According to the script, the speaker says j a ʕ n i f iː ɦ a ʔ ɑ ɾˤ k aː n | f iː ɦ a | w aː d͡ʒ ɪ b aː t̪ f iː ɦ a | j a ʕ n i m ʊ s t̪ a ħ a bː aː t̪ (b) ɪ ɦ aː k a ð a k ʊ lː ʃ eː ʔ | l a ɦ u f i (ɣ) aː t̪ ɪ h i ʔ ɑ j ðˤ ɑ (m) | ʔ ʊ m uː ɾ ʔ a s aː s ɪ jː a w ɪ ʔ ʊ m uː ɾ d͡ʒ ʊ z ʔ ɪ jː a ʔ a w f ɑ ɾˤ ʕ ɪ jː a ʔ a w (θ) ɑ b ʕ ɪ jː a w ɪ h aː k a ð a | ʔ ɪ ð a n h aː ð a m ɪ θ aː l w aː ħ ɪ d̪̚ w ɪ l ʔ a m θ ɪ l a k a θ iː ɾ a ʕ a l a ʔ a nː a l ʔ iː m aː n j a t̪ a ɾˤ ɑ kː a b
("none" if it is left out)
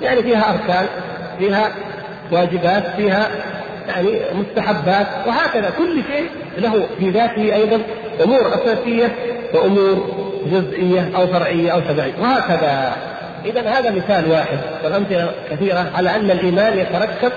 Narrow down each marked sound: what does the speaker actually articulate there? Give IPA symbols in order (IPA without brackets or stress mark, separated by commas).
w, ð, n, ʃ